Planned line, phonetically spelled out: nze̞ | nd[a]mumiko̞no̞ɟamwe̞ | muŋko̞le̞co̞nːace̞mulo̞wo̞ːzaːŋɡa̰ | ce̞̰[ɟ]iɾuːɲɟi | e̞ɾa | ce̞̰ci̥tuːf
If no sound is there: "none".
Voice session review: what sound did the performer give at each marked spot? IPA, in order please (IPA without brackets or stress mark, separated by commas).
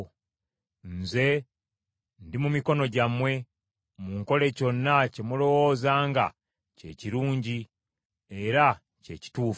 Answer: i, c